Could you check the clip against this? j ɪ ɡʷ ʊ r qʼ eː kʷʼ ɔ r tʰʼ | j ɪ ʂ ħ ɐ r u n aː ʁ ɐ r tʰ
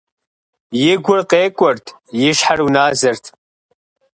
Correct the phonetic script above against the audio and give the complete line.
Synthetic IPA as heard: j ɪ ɡʷ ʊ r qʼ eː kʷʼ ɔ r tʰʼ | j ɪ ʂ ħ a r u n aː z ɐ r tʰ